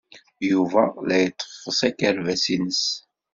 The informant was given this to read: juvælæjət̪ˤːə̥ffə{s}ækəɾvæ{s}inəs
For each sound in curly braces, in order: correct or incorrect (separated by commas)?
correct, correct